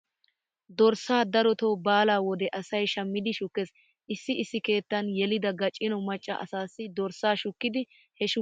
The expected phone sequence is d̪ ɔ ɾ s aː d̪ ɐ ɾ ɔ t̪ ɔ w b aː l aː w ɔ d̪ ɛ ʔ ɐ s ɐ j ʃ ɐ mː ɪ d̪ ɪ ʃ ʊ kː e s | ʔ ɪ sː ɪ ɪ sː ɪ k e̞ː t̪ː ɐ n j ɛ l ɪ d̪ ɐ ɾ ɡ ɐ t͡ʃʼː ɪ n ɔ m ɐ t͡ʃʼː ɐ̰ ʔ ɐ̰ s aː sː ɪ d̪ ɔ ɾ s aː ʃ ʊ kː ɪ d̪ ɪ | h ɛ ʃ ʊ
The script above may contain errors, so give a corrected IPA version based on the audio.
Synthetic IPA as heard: d̪ ɔ ɾ s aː d̪ ɐ ɾ ɔ t̪ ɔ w b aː l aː w ɔ d̪ ɛ ʔ ɐ s ɐ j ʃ ɐ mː ɪ d̪ ɪ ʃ ʊ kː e s | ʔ ɪ sː ɪ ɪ sː ɪ k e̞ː t̪ː ɐ n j ɛ l ɪ d̪ ɐ ɡ ɐ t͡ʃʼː ɪ n ɔ m ɐ t͡ʃʼː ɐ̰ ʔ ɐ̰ s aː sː ɪ d̪ ɔ ɾ s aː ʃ ʊ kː ɪ d̪ ɪ | h ɛ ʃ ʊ

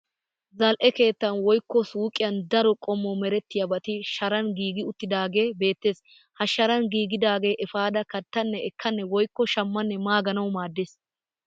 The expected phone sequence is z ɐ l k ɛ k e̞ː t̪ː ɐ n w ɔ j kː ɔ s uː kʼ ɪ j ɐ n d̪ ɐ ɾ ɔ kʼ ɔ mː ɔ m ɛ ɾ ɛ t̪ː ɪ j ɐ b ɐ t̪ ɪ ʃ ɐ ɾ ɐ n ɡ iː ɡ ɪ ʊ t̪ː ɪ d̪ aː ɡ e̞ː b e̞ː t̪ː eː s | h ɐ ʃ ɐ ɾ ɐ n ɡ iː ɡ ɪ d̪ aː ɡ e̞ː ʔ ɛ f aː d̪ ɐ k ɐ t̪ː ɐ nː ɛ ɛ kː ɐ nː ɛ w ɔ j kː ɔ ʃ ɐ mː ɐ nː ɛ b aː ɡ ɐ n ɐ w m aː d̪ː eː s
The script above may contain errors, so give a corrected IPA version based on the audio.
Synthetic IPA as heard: z ɐ l ʔ ɛ k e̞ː t̪ː ɐ n w ɔ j kː ɔ s uː kʼ ɪ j ɐ n d̪ ɐ ɾ ɔ kʼ ɔ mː ɔ m ɛ ɾ ɛ t̪ː ɪ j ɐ b ɐ t̪ ɪ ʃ ɐ ɾ ɐ n ɡ iː ɡ ɪ ʊ t̪ː ɪ d̪ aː ɡ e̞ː b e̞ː t̪ː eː s | h ɐ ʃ ɐ ɾ ɐ n ɡ iː ɡ ɪ d̪ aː ɡ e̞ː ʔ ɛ f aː d̪ ɐ k ɐ t̪ː ɐ nː ɛ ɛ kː ɐ nː ɛ w ɔ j kː ɔ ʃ ɐ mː ɐ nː ɛ m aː ɡ ɐ n ɐ w m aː d̪ː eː s

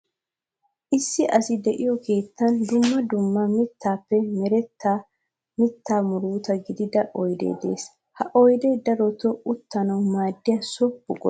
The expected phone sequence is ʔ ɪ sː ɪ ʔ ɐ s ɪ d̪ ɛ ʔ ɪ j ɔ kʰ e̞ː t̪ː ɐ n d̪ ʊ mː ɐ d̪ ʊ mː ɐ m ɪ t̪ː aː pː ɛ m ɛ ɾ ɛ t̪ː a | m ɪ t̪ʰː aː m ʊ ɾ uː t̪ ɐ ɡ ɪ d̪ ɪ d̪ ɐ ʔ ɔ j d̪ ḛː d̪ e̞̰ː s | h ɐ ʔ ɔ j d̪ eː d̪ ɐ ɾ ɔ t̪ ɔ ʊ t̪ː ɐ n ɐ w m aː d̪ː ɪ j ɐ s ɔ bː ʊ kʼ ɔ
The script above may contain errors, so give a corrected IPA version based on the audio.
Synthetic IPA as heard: ʔ ɪ sː ɪ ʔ ɐ s ɪ d̪ ɛ ʔ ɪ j ɔ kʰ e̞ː t̪ː ɐ n d̪ ʊ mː ɐ d̪ ʊ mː ɐ m ɪ t̪ː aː pː ɛ m ɛ ɾ ɛ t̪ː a | m ɪ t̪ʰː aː m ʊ ɾ uː t̪ ɐ ɡ ɪ d̪ ɪ d̪ ɐ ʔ ɔ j d̪ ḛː d̪ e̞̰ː s | h ɐ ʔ ɔ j d̪ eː d̪ ɐ ɾ ɔ t̪ ɔ ʊ t̪ː ɐ n ɐ w m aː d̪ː ɪ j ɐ s ɔ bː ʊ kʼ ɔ

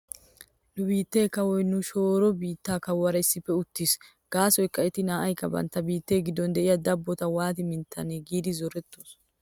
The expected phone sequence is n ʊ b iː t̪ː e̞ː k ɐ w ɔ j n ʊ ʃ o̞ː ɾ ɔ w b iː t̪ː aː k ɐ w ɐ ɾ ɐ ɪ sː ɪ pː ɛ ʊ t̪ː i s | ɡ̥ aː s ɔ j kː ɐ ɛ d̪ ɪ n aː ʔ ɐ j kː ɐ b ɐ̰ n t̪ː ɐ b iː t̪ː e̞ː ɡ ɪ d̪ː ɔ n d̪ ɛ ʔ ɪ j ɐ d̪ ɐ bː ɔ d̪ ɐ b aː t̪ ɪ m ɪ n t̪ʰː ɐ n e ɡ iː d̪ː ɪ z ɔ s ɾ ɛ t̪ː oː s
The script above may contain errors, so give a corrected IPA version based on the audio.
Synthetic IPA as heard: n ʊ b iː t̪ː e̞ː k ɐ w ɔ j n ʊ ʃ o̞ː ɾ ɔ b iː t̪ː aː k ɐ w ɐ ɾ ɐ ɪ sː ɪ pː ɛ ʊ t̪ː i s | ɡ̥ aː s ɔ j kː ɐ ɛ t̪ ɪ n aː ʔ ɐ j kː ɐ b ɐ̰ n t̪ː ɐ b iː t̪ː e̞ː ɡ ɪ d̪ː ɔ n d̪ ɛ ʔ ɪ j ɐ d̪ ɐ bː ɔ t̪ ɐ w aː t̪ ɪ m ɪ n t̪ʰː ɐ n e ɡ iː d̪ ɪ z ɔ ɾ ɛ t̪ː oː s

